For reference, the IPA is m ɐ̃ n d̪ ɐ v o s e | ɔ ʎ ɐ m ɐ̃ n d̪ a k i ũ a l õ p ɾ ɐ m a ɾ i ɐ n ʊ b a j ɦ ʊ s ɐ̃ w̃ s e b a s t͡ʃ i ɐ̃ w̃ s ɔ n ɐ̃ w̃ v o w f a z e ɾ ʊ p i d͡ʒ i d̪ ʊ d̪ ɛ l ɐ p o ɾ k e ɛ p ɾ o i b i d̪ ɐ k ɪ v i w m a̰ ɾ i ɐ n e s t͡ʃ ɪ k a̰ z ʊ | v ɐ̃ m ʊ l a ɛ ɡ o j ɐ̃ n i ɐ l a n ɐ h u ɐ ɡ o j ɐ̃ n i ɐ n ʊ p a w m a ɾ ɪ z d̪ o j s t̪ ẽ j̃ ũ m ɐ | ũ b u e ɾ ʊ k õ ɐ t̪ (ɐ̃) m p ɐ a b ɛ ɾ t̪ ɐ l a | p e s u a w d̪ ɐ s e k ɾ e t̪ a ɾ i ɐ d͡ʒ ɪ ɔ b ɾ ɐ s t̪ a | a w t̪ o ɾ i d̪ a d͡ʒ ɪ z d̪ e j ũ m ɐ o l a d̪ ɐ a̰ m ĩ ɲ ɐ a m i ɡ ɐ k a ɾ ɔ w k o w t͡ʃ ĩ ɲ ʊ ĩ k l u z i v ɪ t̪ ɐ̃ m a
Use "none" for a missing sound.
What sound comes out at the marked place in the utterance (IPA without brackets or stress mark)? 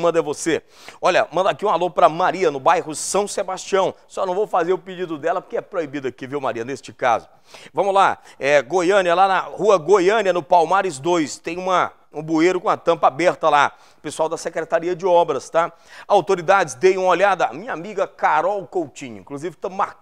ɐ̃